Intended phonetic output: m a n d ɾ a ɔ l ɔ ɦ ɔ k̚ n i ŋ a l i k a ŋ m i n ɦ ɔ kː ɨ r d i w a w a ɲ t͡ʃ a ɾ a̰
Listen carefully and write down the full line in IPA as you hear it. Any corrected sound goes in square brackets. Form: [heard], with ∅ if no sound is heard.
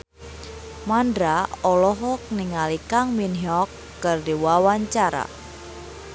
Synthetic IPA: m a n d ɾ a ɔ l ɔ ɦ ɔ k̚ n i ŋ a l i k a ŋ m i n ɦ ɔ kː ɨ r d i w a w a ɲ t͡ʃ a ɾ a̰